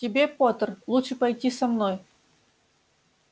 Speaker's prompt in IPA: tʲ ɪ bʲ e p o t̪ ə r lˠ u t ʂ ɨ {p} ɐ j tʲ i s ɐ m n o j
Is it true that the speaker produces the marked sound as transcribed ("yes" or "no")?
yes